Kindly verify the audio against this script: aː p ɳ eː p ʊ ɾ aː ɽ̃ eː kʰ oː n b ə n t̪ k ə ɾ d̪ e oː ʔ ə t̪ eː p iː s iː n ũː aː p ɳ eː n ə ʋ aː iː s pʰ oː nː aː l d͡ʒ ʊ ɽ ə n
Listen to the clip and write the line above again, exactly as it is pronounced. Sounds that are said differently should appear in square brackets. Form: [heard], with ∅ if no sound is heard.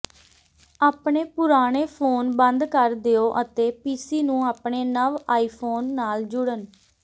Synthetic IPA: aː p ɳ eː p ʊ ɾ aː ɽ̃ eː [pʰ] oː n b ə n [d̪] k ə ɾ d̪ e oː ʔ ə t̪ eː p iː s iː n ũː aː p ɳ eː n ə ʋ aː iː [∅] pʰ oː nː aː l d͡ʒ ʊ ɽ ə n

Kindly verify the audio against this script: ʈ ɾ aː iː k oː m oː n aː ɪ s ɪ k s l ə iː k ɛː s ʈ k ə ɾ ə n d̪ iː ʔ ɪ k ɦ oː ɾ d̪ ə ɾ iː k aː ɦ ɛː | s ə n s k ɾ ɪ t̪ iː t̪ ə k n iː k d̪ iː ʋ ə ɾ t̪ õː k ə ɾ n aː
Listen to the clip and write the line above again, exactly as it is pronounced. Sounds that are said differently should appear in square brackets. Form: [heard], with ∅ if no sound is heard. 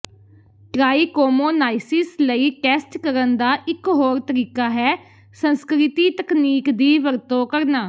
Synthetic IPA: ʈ ɾ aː iː k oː m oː n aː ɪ s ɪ [∅] s l ə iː k ɛː s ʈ k ə ɾ ə n d̪ [aː] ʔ ɪ k ɦ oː ɾ [t̪] ə ɾ iː k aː ɦ ɛː | s ə n s k ɾ ɪ t̪ iː t̪ ə k n iː k d̪ iː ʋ ə ɾ t̪ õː k ə ɾ n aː

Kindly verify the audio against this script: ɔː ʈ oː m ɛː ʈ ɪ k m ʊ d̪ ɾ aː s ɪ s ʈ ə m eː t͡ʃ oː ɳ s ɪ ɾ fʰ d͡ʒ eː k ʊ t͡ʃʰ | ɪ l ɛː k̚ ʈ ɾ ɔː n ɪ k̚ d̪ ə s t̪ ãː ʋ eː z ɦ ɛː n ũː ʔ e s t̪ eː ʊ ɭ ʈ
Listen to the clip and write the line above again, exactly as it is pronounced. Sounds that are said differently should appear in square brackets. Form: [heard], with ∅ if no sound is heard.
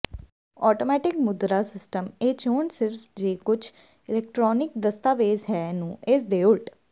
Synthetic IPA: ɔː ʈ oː m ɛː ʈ ɪ k m ʊ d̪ ɾ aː s ɪ s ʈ ə m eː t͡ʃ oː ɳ s ɪ ɾ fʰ d͡ʒ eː k ʊ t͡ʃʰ | ɪ l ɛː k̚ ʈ ɾ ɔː n ɪ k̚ d̪ ə s t̪ [aː] ʋ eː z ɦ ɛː n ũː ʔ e s [d̪] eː ʊ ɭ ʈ

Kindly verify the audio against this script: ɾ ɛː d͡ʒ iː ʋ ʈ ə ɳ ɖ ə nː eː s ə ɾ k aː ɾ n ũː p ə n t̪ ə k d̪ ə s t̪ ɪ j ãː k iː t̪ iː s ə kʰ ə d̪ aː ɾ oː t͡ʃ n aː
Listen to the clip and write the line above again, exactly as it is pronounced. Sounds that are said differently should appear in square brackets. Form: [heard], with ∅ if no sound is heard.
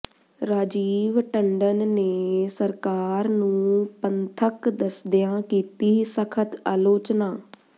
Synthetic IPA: ɾ [aː] d͡ʒ iː ʋ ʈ ə ɳ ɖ ə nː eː s ə ɾ k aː ɾ n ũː p ə n [t̪ʰ] ə k d̪ ə s [d̪] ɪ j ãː k iː t̪ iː s ə kʰ ə [t̪] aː [l] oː t͡ʃ n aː

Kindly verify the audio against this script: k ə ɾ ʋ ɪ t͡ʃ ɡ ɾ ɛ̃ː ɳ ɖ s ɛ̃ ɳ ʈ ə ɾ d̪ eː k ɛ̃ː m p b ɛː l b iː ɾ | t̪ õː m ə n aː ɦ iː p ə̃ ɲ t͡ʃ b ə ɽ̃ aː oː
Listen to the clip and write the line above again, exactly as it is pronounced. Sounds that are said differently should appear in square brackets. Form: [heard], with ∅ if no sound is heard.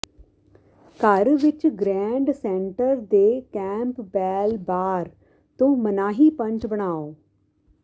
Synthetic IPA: k ə ɾ ʋ ɪ t͡ʃ ɡ ɾ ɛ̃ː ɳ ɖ s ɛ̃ ɳ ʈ ə ɾ d̪ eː k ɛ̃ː m p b ɛː l b [aː] ɾ | t̪ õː m ə n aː ɦ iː p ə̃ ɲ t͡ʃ b ə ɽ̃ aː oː

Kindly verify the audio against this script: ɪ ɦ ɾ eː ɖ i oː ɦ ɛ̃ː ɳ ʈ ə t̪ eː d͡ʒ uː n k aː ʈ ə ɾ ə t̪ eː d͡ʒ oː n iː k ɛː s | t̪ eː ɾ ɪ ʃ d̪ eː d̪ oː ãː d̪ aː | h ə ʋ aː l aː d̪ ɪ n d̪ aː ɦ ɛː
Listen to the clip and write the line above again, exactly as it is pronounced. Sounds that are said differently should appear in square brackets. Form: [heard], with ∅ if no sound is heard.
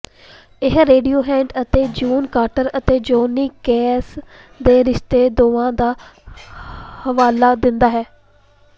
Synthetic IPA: ɪ ɦ ɾ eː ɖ i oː ɦ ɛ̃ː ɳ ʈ ə t̪ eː d͡ʒ uː n k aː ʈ ə ɾ ə t̪ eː d͡ʒ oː n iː k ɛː s | [d̪] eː ɾ ɪ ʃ [t̪] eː d̪ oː ãː d̪ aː | h ə ʋ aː l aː d̪ ɪ n d̪ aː ɦ ɛː

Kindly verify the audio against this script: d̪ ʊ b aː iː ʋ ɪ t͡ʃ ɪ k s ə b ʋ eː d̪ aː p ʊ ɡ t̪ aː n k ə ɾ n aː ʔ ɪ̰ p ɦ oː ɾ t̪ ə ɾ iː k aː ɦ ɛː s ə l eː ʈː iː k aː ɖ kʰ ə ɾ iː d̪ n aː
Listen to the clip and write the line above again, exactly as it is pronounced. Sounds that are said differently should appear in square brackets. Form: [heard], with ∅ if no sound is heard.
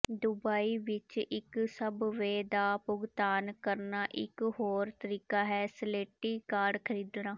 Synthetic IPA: d̪ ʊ b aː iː ʋ ɪ t͡ʃ ɪ k s ə b ʋ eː d̪ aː p ʊ ɡ t̪ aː n k ə ɾ n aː ʔ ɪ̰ [k] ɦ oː ɾ t̪ ə ɾ iː k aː ɦ ɛː s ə l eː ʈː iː k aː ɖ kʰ ə ɾ iː d̪ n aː

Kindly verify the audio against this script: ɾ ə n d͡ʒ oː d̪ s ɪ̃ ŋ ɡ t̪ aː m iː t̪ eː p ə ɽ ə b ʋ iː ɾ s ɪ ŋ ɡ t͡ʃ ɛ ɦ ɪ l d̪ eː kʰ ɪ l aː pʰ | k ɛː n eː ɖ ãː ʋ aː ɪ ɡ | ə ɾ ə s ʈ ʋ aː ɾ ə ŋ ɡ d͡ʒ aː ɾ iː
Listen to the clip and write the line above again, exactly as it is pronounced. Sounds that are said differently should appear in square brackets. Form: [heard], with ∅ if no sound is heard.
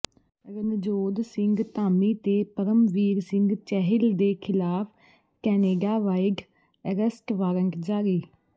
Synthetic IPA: ɾ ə n d͡ʒ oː d̪ s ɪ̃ ŋ ɡ t̪ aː m iː t̪ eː p ə [ɾ] ə [m] ʋ iː ɾ s ɪ ŋ ɡ t͡ʃ ɛ ɦ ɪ l d̪ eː kʰ ɪ l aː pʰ | k ɛː n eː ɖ [aː] ʋ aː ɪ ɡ | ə ɾ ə s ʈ ʋ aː ɾ ə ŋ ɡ d͡ʒ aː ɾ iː

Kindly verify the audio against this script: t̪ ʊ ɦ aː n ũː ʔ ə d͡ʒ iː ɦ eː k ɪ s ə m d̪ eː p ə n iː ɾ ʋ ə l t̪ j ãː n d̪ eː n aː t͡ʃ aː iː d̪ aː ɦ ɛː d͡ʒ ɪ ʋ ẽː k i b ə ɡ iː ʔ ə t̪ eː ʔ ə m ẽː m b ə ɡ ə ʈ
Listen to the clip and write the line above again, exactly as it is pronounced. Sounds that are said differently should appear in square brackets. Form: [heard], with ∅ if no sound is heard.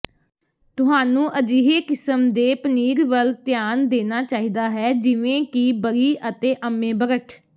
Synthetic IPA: t̪ ʊ ɦ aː n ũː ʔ ə d͡ʒ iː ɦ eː k ɪ s ə m d̪ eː p ə n iː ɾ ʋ ə l t̪ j [aː] n d̪ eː n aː t͡ʃ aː iː d̪ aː ɦ ɛː d͡ʒ ɪ ʋ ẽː k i b ə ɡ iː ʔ ə t̪ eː ʔ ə m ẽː [∅] b ə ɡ ə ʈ

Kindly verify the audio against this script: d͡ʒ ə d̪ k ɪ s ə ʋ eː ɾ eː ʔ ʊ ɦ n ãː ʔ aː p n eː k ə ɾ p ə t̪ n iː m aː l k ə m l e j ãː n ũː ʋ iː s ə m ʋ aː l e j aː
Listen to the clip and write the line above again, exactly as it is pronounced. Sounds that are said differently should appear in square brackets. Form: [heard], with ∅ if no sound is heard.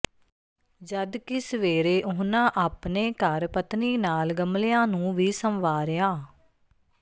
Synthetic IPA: d͡ʒ ə d̪ k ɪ s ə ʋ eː ɾ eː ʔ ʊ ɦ n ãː ʔ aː p n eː k ə ɾ p ə t̪ n iː [n] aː l [ɡ] ə m l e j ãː n ũː ʋ iː s ə m ʋ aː [ɾ] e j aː

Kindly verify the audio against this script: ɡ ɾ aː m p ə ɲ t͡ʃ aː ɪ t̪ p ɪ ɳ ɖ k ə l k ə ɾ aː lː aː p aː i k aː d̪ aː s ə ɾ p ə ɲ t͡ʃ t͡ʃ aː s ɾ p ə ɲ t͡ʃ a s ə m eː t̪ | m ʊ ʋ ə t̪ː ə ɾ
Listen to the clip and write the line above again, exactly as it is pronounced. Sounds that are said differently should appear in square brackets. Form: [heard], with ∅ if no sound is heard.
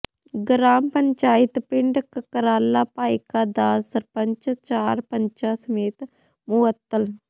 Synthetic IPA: ɡ ɾ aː m p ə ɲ t͡ʃ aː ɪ t̪ p ɪ ɳ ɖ k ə [∅] k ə ɾ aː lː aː p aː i k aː d̪ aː s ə ɾ p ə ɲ t͡ʃ t͡ʃ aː [∅] ɾ p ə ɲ t͡ʃ a s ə m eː t̪ | m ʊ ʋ ə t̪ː ə [l]

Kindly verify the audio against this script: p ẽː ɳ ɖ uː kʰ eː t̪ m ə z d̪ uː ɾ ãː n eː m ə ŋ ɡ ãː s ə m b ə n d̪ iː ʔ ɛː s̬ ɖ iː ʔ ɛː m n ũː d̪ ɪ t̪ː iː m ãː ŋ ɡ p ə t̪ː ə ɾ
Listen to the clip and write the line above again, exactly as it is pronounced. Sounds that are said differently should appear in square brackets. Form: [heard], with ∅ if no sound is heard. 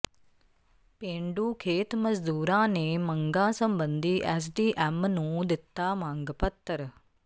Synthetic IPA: p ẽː ɳ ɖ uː kʰ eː t̪ m ə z d̪ uː ɾ ãː n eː m ə ŋ ɡ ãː s ə m b ə n d̪ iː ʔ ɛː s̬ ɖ iː ʔ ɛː m n ũː d̪ ɪ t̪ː [aː] m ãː ŋ ɡ p ə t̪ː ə ɾ

